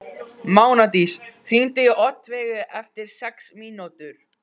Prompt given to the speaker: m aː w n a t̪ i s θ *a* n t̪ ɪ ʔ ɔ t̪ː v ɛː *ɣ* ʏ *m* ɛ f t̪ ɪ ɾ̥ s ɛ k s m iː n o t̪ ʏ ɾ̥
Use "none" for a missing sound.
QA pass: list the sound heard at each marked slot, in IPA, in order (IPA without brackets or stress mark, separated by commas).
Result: i, ɣ, none